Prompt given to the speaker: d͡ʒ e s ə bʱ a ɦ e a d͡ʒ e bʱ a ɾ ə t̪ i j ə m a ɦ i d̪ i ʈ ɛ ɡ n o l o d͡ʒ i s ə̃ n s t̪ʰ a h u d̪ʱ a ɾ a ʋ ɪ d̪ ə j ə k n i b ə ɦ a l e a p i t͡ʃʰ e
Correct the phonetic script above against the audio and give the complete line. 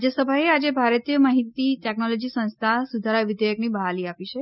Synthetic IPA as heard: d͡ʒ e s ə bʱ a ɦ e a d͡ʒ e bʱ a ɾ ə t̪ i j ə m a ɦ i t̪ i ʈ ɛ k n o l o d͡ʒ i s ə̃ n s t̪ʰ a s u d̪ʱ a ɾ a ʋ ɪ d̪ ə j ə k n i b ə ɦ a l i a p i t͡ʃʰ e

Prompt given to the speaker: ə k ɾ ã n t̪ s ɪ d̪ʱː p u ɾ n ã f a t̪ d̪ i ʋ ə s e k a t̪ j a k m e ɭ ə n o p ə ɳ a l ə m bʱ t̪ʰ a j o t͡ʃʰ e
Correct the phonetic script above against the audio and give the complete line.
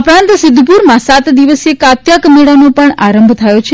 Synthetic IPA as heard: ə p ɾ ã n t̪ s ɪ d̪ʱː p u ɾ m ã s a t̪ d̪ i ʋ ə s e k a t̪ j a k m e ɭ a n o p ə ɳ a ɾ ə m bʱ t̪ʰ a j o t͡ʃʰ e

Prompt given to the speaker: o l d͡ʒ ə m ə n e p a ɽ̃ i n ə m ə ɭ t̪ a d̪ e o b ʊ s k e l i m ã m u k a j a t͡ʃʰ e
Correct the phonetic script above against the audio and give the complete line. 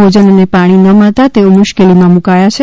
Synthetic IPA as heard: o d͡ʒ ə n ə n e p a ɽ̃ i n ə m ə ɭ t̪ a t̪ e o m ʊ ʃ k e l i m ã m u k a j a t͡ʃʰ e

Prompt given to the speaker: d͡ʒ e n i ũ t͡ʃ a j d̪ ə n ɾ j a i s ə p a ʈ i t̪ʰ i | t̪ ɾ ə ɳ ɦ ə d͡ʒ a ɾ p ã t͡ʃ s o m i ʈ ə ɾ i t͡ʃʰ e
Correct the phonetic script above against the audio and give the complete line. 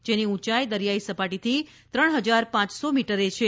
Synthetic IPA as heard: d͡ʒ e n i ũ t͡ʃ a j d̪ ə ɾ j a i s ə p a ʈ i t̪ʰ i | t̪ ɾ ə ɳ ɦ ə d͡ʒ a ɾ p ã t͡ʃ s o m i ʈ ə ɾ e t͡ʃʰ e

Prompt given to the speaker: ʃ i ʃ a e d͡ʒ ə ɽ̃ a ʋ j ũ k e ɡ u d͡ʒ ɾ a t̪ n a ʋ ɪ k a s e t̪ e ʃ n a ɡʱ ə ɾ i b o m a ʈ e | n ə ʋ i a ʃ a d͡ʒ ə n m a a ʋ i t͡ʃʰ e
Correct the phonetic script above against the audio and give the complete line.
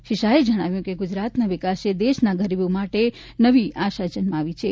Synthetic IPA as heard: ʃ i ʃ a e d͡ʒ ə ɽ̃ a ʋ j ũ k e ɡ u d͡ʒ ɾ a t̪ n a ʋ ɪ k a s e d̪ e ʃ n a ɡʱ ə ɾ i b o m a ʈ e | n ə ʋ i a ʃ a d͡ʒ ə n m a a ʋ i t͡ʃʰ e

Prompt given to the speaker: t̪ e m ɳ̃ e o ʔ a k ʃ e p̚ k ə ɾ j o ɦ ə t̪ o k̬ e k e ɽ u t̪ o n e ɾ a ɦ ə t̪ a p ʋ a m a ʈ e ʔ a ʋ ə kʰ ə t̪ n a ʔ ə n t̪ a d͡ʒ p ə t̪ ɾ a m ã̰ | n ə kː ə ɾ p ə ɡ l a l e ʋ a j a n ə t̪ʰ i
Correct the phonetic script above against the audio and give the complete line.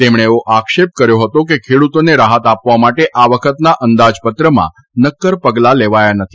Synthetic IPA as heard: t̪ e m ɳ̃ e o ʔ a k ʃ e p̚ k ə ɾ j o ɦ ə t̪ o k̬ e kʰ e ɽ u t̪ o n e ɾ a ɦ ə t̪ a p ʋ a m a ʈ e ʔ a ʋ ə kʰ ə t̪ n a ʔ ə n d̪ a d͡ʒ p ə t̪ ɾ ə m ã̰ | n ə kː ə ɾ p ə ɡ l a l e ʋ a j a n ə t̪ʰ i

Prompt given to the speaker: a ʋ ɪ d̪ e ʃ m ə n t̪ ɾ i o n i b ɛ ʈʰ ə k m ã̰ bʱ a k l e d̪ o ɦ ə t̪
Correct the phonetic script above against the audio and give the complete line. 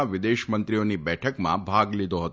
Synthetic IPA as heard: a ʋ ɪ d̪ e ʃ m ə n t̪ ɾ i o n i b ɛ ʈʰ ə k m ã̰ bʱ a ɡ l i d̪ o ɦ ə t̪

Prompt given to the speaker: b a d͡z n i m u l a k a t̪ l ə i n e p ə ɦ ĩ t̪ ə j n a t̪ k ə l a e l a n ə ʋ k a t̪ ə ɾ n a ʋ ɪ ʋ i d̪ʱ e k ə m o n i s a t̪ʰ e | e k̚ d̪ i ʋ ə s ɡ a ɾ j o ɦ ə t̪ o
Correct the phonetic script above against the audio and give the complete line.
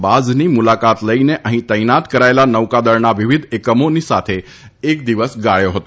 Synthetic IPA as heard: b a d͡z n i m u l a k a t̪ l ə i n e ʔ ə ɦ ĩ t̪ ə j n a t̪ k ə ɾ a e l a n ə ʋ k a d̪ ə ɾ n a ʋ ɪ ʋ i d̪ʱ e k ə m o n i s a t̪ʰ e | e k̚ d̪ i ʋ ə s ɡ a ɭ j o ɦ ə t̪ o

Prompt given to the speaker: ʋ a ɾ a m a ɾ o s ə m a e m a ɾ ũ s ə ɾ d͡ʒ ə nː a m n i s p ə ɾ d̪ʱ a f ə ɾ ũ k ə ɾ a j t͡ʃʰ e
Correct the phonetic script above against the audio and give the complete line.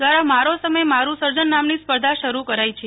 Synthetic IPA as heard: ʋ a ɾ a m a ɾ o s ə m ə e m a ɾ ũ s ə ɾ d͡ʒ ə nː a m n i s p ə ɾ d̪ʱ a ʃ ə ɾ u k ə ɾ a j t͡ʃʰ e

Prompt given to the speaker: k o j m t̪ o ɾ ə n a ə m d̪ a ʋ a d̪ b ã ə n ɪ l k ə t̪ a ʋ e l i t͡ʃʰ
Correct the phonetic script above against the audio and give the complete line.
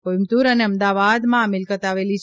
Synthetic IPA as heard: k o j m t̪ u ɾ ə n e ə m d̪ a ʋ a d̪ m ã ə m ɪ l k ə t̪ a ʋ e l i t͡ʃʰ

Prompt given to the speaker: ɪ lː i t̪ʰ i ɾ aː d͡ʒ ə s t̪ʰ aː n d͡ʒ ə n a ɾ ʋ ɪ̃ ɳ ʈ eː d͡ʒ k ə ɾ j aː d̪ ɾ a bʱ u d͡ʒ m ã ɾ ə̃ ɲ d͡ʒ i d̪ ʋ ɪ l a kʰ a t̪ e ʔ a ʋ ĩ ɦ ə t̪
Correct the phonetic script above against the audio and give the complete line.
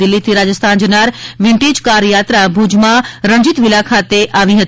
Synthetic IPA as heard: ɪ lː i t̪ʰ i ɾ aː d͡ʒ ə s t̪ʰ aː n d͡ʒ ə n a ɾ ʋ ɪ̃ ɳ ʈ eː d͡ʒ k a ɾ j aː t̪ ɾ a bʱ u d͡ʒ m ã ɾ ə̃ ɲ d͡ʒ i t̪ ʋ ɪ l a kʰ a t̪ e ʔ a ʋ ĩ ɦ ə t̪

